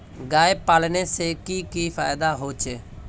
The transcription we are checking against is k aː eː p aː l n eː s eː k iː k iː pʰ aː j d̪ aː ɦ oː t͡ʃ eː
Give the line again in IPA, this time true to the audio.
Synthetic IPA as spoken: ɡ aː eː p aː l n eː s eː k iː k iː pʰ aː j d̪ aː ɦ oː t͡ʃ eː